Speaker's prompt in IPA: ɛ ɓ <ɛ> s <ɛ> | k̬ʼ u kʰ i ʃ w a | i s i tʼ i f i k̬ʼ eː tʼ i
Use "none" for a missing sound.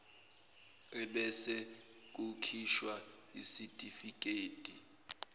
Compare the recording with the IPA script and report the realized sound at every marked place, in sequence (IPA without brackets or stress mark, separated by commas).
ɛ, ɛ